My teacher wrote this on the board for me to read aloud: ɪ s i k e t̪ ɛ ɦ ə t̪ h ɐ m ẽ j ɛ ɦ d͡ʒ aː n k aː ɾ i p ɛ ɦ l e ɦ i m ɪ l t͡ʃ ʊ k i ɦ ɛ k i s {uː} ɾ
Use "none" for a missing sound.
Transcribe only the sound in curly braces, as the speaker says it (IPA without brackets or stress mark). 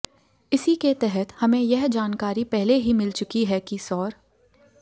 ɔː